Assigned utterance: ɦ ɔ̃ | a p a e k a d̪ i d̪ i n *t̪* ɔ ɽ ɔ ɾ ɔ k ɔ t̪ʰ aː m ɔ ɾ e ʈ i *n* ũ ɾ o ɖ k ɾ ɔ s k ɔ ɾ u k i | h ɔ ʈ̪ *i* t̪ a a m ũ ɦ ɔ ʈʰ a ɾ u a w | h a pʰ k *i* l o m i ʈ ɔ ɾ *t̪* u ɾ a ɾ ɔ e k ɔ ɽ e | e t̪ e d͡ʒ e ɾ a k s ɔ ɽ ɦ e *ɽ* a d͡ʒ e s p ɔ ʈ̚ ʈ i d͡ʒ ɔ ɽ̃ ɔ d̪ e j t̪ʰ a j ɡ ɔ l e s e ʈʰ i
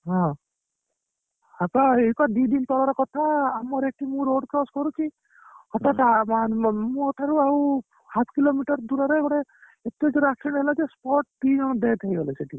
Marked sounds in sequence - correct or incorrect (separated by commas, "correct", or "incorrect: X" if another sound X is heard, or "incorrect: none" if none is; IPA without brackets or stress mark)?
correct, incorrect: m, incorrect: a, correct, incorrect: d̪, incorrect: l